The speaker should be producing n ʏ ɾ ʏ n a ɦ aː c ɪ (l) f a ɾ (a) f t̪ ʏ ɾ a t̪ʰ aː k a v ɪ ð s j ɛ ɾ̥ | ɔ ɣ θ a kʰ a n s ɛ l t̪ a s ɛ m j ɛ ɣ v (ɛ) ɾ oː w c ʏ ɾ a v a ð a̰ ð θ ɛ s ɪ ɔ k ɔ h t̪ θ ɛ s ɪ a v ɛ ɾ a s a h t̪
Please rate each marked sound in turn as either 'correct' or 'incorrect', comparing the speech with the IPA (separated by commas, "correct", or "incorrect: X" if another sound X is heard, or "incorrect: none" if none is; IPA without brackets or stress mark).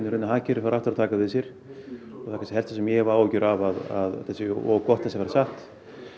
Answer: incorrect: ɾ, correct, incorrect: a